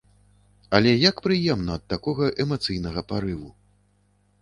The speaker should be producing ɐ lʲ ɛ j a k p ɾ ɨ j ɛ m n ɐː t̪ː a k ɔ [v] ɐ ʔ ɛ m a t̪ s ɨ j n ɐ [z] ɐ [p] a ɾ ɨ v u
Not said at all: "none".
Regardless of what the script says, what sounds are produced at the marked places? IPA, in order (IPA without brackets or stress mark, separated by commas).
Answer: ɣ, ɣ, p